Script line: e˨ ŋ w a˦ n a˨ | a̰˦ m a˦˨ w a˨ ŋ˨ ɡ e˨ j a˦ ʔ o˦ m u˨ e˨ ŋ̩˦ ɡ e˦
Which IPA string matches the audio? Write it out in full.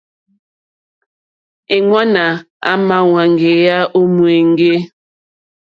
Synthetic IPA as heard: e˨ ŋ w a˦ n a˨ | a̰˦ m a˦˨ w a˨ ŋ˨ ɡ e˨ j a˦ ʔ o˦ m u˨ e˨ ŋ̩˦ ɡ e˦